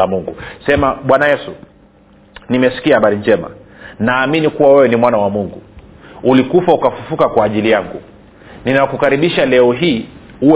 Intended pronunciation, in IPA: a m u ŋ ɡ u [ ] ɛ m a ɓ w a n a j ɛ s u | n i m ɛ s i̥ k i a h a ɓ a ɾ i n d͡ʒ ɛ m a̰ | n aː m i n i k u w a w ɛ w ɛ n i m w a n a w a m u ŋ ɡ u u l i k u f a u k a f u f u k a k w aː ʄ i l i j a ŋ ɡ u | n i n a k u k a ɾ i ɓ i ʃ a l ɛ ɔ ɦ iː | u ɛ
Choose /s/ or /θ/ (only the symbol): s